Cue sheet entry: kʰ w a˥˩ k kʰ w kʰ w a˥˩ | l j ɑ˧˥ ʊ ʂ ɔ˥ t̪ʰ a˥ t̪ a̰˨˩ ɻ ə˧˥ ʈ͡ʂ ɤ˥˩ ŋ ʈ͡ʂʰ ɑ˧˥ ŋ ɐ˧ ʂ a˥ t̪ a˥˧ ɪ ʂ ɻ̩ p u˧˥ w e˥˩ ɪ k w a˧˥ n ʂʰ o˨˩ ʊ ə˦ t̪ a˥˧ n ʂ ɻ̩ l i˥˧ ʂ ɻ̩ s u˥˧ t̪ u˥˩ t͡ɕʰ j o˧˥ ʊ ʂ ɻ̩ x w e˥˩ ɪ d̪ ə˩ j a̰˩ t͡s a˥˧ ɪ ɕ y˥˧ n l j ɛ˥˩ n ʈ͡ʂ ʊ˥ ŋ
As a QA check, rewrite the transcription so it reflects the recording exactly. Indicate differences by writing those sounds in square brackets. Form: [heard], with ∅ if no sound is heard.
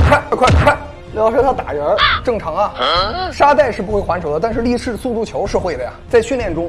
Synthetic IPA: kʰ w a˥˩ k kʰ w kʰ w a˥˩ | l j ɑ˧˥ ʊ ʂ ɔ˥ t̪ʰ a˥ t̪ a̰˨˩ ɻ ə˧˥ ʈ͡ʂ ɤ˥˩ ŋ ʈ͡ʂʰ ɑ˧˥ ŋ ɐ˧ ʂ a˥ t̪ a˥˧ ɪ ʂ ɻ̩ p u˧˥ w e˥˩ ɪ [x] w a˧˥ n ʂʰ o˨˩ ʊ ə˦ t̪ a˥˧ n ʂ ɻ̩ l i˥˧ ʂ ɻ̩ s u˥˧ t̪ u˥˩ t͡ɕʰ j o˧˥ ʊ ʂ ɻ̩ x w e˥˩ ɪ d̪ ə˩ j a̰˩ t͡s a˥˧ ɪ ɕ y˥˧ n l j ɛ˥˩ n ʈ͡ʂ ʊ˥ ŋ